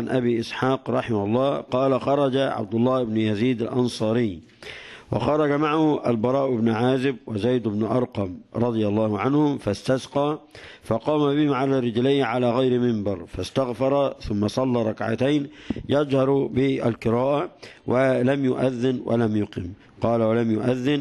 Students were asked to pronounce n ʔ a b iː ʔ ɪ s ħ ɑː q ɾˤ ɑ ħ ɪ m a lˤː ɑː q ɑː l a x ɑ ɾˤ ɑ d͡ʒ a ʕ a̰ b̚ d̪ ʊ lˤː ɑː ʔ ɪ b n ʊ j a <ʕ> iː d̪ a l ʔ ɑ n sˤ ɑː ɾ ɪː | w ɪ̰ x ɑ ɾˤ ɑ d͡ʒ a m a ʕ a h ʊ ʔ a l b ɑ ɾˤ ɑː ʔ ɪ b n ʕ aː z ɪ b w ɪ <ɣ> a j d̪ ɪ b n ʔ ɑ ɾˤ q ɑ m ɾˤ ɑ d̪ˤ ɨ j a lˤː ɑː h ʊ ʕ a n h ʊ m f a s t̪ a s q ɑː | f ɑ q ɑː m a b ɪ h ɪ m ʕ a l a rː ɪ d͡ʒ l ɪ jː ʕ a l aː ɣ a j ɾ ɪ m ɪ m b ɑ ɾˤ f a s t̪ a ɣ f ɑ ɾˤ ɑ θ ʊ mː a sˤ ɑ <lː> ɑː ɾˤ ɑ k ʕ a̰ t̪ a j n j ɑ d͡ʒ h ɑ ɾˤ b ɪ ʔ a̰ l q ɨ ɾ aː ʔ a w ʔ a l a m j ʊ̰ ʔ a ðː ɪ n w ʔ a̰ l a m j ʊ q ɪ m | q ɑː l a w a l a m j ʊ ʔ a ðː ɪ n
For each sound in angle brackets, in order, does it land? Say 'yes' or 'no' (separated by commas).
no, no, yes